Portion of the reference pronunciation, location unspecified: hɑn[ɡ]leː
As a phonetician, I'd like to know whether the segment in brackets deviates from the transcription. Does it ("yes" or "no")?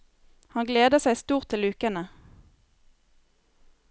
no